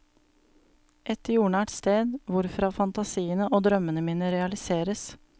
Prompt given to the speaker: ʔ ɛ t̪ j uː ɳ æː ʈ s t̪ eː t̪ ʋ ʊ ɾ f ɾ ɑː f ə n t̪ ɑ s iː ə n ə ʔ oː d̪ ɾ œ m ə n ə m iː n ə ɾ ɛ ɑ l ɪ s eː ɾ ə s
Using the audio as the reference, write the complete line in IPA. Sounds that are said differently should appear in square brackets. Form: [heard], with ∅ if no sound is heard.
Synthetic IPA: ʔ ɛ t̪ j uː ɳ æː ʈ s t̪ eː [d̪] ʋ ʊ ɾ f ɾ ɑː f [ɑ] n t̪ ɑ s iː ə n ə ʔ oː d̪ ɾ œ m ə n ə m iː n ə ɾ ɛ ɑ l ɪ s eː ɾ ə s